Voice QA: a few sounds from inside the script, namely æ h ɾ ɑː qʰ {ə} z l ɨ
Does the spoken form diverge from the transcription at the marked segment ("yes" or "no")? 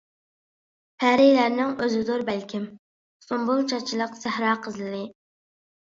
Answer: no